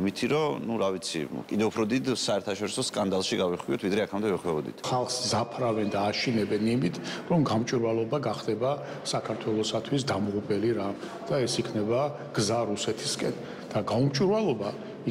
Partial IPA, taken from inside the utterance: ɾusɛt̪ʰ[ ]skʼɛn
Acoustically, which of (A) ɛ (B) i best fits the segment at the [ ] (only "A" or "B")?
B